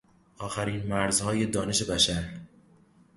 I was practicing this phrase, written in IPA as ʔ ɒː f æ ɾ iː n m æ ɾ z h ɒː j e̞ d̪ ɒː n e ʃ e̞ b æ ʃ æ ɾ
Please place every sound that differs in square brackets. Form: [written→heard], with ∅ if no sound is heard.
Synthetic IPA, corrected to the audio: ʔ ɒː [f→x] æ ɾ iː n m æ ɾ z h ɒː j e̞ d̪ ɒː n e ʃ e̞ b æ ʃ æ ɾ